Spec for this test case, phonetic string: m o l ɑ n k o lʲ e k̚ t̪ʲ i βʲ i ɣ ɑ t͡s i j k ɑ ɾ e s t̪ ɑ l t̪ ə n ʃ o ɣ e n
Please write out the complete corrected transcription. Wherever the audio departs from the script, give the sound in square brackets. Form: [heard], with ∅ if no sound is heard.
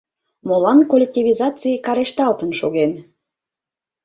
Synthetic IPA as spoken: m o l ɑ n k o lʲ e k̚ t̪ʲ i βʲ i [z] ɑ t͡s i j k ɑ ɾ e [ʃ] t̪ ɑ l t̪ ə n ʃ o ɣ e n